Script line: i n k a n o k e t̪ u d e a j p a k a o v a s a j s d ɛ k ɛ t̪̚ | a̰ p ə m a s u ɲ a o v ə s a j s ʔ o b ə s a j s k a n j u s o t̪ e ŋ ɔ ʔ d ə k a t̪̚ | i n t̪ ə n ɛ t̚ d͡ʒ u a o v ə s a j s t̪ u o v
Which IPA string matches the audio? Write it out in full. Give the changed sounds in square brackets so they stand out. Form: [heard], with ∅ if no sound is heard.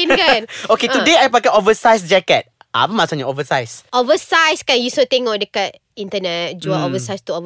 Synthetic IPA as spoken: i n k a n o k e t̪ u d e a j p a k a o v [ə] s a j s [d͡ʒ] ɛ k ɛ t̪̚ | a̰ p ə m a s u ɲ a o v ə s a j s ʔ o [v] ə s a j s k a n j u s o t̪ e ŋ ɔ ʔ d ə k a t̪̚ | i n t̪ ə n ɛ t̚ d͡ʒ u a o v ə s a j s t̪ u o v